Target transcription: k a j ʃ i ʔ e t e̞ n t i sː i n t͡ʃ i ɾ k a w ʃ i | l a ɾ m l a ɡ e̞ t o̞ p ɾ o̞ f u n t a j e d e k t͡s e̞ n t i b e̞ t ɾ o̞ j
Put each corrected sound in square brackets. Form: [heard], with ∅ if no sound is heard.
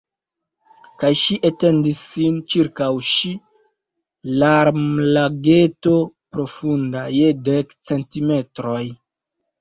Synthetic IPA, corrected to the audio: k a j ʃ i ʔ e t e̞ n [d] i sː i n t͡ʃ i ɾ k a w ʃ i | l a ɾ m l a ɡ e̞ t o̞ p ɾ o̞ f u n [d] a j e d e k t͡s e̞ n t i [m] e̞ t ɾ o̞ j

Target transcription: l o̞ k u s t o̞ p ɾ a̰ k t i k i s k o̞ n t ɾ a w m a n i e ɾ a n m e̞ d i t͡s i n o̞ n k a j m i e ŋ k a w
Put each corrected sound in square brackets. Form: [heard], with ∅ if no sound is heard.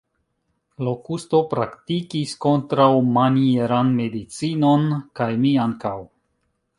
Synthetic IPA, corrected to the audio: l o̞ k u s t o̞ p ɾ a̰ k t i k i s k o̞ n t ɾ a w m a n i e ɾ a n m e̞ d i t͡s i n o̞ n k a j m i [a] ŋ k a w

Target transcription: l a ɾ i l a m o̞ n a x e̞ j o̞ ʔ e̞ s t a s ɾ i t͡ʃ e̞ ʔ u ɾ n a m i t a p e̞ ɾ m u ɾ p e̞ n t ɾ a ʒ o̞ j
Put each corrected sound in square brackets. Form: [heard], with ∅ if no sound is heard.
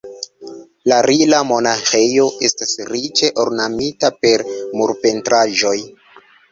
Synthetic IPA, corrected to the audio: l a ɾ i l a m o̞ n a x e̞ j o̞ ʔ e̞ s t a s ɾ i t͡ʃ e̞ ʔ [o] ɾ n a m i t a p e̞ ɾ m u ɾ p e̞ n t ɾ a ʒ o̞ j

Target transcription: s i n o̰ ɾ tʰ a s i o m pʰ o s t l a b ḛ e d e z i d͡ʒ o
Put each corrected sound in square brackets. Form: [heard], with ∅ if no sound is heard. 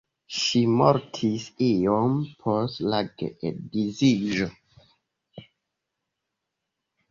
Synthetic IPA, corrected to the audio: [ʃ] i [m] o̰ ɾ tʰ [i] s i o m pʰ o s t l a [ɡ] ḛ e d [i] z i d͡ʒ o

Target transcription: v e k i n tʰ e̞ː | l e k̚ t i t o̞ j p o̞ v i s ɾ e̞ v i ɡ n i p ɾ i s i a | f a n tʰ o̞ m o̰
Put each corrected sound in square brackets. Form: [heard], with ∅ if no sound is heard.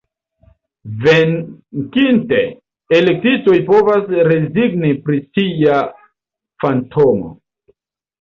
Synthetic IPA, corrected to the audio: v e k i n [t] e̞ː | l e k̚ t i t o̞ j p o̞ v [a] s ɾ e̞ [z] i ɡ n i p ɾ i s i a | f a n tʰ o̞ m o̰

